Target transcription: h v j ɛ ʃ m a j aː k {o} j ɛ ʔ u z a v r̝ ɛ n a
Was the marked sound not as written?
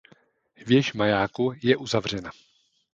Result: yes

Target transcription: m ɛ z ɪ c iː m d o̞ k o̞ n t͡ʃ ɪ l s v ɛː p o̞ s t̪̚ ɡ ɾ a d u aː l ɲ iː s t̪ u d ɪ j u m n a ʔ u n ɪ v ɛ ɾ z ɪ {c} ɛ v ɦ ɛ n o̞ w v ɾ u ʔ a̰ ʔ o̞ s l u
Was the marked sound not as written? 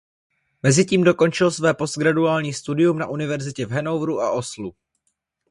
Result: no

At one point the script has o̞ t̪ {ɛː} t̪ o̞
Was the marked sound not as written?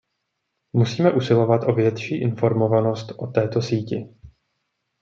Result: no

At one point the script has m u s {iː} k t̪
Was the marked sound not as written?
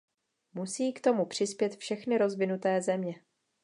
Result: no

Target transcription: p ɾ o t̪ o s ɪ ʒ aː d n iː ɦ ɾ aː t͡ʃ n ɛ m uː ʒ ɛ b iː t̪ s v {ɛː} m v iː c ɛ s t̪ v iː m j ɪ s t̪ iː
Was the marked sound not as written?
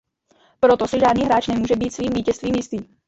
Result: yes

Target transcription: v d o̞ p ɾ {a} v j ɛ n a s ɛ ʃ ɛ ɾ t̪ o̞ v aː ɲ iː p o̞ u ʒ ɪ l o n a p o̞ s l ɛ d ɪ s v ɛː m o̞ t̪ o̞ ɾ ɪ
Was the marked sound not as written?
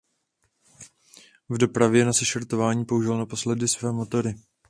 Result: no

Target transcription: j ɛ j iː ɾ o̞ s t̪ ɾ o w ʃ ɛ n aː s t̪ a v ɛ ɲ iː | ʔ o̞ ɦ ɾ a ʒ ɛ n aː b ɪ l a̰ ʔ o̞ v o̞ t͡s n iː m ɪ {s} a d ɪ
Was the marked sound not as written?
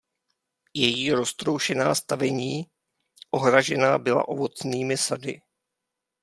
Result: no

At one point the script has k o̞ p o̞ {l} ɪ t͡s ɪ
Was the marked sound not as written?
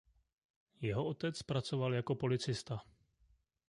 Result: no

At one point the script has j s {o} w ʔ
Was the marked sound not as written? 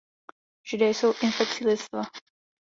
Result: no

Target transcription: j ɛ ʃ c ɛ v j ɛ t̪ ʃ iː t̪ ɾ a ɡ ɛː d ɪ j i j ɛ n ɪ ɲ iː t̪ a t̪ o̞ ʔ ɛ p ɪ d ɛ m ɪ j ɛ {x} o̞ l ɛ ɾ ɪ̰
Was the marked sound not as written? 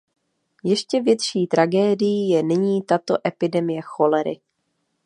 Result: no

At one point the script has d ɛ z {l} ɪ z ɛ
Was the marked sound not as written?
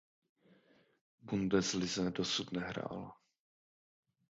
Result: no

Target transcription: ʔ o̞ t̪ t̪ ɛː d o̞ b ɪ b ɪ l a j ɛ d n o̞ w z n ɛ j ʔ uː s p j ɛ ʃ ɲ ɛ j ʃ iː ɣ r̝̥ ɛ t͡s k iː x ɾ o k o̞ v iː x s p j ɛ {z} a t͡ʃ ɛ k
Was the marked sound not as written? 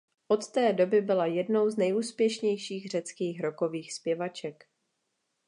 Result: yes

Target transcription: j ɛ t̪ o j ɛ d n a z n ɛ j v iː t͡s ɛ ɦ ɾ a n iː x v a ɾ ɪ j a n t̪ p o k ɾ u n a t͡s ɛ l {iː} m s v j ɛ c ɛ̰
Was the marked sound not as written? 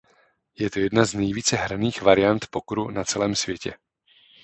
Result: yes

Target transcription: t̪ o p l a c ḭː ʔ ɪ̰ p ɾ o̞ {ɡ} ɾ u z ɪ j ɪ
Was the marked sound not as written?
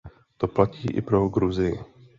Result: no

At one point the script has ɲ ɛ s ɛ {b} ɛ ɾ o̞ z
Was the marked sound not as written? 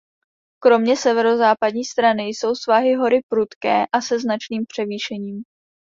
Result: yes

